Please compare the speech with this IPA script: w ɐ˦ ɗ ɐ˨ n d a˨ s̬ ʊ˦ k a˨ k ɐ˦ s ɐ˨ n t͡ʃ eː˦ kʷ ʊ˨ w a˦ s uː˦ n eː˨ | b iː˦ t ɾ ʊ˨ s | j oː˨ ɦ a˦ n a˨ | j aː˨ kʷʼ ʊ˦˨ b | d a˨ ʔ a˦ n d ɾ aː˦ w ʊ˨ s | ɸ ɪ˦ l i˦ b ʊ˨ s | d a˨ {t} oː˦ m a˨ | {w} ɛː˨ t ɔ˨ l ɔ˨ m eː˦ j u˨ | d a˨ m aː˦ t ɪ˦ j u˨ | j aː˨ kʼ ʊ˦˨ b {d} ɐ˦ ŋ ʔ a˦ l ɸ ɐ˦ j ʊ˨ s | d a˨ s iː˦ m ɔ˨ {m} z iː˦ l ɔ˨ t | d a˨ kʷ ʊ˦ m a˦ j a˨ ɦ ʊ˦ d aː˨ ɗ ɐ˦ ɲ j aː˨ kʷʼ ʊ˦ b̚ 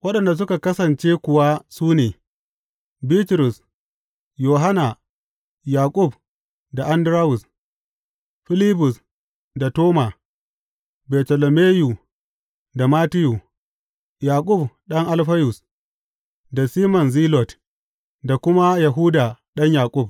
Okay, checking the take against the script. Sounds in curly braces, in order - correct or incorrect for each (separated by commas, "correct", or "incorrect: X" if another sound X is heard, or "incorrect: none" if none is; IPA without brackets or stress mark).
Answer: correct, incorrect: b, incorrect: ɗ, incorrect: n